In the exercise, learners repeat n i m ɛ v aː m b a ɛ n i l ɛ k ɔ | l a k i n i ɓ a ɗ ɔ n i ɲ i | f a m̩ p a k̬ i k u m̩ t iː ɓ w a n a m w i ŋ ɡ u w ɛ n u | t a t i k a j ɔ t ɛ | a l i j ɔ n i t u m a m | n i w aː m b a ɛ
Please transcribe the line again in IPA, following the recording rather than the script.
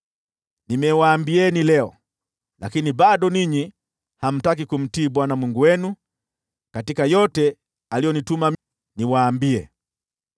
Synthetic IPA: n i m ɛ w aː m b i ɛ n i l ɛ ɔ | l a k i n i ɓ a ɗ ɔ n i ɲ i | h a m̩ t a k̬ i k u m̩ t iː ɓ w a n a m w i ŋ ɡ u w ɛ n u | k a t i k a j ɔ t ɛ | a l i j ɔ n i t u m a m | n i w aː m b i ɛ